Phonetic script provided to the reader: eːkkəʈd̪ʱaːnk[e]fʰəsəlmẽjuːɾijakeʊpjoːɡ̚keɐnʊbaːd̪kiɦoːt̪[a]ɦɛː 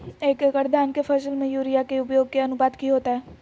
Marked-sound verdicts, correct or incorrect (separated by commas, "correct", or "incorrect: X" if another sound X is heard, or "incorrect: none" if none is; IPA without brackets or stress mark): correct, correct